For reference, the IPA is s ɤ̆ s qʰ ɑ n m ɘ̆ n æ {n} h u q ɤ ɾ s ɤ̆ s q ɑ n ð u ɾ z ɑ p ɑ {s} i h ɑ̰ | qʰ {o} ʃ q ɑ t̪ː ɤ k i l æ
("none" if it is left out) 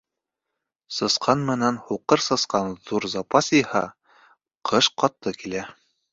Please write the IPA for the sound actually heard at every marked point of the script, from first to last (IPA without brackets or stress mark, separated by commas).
n, s, ɤ